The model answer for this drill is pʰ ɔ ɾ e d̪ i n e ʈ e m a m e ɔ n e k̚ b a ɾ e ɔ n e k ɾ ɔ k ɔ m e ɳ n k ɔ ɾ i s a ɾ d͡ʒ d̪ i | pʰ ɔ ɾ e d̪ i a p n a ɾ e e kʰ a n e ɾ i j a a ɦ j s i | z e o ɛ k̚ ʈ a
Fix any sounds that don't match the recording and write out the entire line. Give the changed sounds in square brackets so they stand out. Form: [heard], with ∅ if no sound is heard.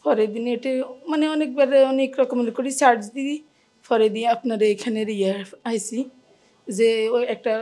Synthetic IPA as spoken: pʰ ɔ ɾ e d̪ i n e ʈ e m a [n] e ɔ n e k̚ b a ɾ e ɔ n e k ɾ ɔ k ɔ m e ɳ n k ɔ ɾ i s a ɾ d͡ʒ d̪ i | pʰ ɔ ɾ e d̪ i a p n a ɾ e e kʰ a n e ɾ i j a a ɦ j s i | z e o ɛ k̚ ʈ a

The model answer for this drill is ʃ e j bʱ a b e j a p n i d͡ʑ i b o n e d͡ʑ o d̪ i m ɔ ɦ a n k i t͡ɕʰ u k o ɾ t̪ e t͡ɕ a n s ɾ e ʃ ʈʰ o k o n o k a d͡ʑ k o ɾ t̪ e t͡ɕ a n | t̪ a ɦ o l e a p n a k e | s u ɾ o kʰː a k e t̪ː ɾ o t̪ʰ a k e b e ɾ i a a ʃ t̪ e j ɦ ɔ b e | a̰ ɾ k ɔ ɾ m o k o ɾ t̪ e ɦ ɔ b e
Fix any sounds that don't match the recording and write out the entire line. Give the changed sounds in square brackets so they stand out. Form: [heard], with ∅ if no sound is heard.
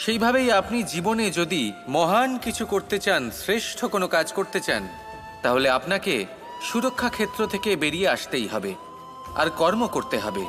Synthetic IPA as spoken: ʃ e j bʱ a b e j a p n i d͡ʑ i b o n e d͡ʑ o d̪ i m ɔ ɦ a n k i t͡ɕʰ u k o ɾ t̪ e t͡ɕ a n s ɾ e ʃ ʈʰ o k o n o k a d͡ʑ k o ɾ t̪ e t͡ɕ a n | t̪ a ɦ o l e a p n a k e | [ʃ] u ɾ o kʰː a [kʰ] e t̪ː ɾ o t̪ʰ [e] k e b e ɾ i [e] a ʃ t̪ e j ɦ ɔ b e | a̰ ɾ k ɔ ɾ m o k o ɾ t̪ e ɦ ɔ b e

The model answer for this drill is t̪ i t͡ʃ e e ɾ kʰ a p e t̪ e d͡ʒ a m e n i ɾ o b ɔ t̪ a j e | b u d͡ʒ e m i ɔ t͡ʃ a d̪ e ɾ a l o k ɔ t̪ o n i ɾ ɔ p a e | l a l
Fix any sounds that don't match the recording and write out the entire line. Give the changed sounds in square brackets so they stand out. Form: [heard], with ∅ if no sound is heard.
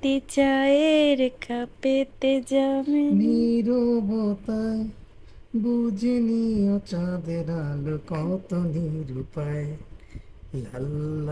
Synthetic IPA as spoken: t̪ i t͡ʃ [a] e ɾ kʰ a p e t̪ e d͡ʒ a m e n i ɾ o b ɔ t̪ a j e | b u d͡ʒ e [n] i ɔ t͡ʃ a d̪ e ɾ a l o k ɔ t̪ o n i ɾ [u] p a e | l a l

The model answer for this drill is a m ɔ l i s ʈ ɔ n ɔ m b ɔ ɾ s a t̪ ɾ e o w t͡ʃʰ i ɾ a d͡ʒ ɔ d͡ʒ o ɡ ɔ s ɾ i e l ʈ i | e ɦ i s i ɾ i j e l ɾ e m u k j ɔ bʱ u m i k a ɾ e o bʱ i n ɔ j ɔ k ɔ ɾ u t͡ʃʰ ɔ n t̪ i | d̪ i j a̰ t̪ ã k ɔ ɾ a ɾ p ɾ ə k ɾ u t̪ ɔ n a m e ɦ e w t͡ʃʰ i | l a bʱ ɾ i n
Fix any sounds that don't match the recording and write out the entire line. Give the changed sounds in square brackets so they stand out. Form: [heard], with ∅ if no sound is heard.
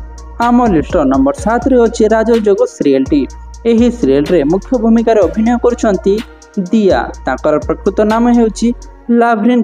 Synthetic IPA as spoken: a m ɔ l i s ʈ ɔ n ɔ m b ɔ ɾ s a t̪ ɾ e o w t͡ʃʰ i ɾ a d͡ʒ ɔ d͡ʒ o ɡ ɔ s ɾ i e l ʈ i | e ɦ i s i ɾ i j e l ɾ e m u [kʰ] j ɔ bʱ u m i k a ɾ e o bʱ i n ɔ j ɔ k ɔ ɾ u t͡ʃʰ ɔ n t̪ i | d̪ i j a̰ t̪ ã k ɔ ɾ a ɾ p ɾ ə k ɾ u t̪ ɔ n a m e ɦ e w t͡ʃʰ i | l a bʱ ɾ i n

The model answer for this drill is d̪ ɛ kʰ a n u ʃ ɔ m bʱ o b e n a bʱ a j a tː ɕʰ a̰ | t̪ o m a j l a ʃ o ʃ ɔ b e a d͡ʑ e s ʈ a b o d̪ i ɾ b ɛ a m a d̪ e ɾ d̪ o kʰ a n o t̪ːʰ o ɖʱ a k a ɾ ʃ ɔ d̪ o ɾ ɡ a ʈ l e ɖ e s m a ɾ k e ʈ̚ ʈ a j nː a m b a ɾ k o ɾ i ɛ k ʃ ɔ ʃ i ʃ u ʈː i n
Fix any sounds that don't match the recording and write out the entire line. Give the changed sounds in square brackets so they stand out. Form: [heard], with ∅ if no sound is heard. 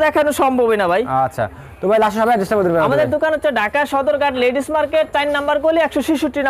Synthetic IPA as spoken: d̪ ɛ kʰ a n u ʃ ɔ m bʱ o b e n a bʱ a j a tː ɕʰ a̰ | t̪ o m a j l a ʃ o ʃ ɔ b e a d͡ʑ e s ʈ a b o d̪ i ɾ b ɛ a m a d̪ e ɾ d̪ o [k] a n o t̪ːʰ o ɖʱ a k a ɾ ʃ ɔ d̪ o ɾ ɡ a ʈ l e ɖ [i] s m a ɾ k e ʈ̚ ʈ a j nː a m b a ɾ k o [l] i ɛ k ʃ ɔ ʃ i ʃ u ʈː i n

